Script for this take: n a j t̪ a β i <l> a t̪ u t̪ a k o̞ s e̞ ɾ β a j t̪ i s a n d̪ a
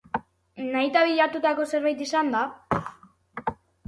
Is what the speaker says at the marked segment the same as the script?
no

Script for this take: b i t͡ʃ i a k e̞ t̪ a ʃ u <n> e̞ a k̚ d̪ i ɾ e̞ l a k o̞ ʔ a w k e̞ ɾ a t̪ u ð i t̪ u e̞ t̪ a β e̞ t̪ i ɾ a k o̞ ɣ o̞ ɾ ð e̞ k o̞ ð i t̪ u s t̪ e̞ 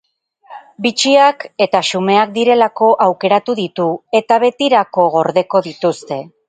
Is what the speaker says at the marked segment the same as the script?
no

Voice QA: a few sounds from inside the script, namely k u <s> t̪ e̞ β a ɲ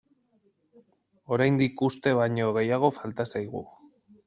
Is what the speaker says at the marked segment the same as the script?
yes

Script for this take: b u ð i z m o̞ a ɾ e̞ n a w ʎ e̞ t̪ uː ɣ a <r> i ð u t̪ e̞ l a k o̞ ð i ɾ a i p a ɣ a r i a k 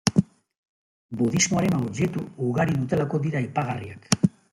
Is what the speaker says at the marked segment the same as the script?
no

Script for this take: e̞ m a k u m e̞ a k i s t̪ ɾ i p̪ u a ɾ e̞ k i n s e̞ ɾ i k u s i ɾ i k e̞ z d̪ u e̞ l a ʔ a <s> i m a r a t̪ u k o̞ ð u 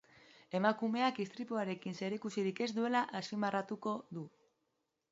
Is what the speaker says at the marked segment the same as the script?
yes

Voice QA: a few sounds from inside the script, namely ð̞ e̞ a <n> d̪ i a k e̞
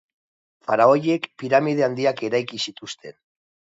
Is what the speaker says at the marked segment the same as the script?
yes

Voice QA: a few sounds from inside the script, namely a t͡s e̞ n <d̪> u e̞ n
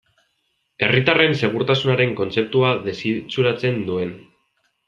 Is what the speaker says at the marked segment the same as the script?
yes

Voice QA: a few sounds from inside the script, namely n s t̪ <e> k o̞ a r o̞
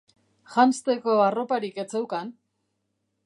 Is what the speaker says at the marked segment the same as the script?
yes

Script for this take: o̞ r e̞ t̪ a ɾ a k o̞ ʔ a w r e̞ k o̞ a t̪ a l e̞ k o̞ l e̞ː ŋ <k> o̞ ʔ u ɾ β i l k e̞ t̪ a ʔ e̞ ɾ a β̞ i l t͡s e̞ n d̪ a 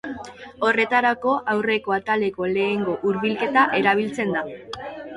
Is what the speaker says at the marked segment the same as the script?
no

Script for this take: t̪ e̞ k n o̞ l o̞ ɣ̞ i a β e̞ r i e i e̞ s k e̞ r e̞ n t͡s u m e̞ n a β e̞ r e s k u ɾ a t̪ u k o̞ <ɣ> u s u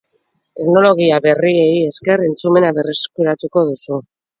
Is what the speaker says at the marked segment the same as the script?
no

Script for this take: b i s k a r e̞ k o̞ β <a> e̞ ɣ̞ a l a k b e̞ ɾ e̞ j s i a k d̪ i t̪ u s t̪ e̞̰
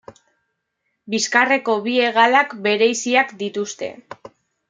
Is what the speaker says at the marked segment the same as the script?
no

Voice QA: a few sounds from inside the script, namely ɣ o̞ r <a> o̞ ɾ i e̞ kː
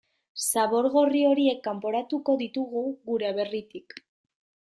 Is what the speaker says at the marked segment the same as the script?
no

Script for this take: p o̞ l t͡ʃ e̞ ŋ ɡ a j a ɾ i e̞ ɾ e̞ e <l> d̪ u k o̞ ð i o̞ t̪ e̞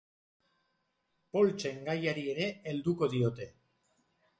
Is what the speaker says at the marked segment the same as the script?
yes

